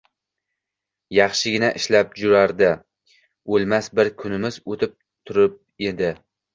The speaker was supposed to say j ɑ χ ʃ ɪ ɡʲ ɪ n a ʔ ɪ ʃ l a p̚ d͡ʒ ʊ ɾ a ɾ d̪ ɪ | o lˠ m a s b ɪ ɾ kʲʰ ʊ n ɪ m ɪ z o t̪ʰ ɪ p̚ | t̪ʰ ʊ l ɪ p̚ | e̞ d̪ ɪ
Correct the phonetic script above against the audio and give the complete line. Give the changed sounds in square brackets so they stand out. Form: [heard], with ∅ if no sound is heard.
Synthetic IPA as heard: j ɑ χ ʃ ɪ ɡʲ ɪ n a ʔ ɪ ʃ l a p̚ d͡ʒ ʊ ɾ a ɾ d̪ ɪ | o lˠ m a s b ɪ ɾ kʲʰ ʊ n ɪ m ɪ z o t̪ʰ ɪ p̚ | t̪ʰ ʊ [ɾ] ɪ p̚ | e̞ d̪ ɪ